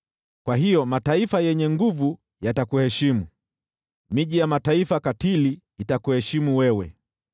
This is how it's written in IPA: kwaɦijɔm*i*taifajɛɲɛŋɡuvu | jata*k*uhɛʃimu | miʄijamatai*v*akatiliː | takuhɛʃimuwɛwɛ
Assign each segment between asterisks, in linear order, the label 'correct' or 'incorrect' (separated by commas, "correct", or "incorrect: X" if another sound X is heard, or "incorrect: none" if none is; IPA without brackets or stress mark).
incorrect: a, correct, incorrect: f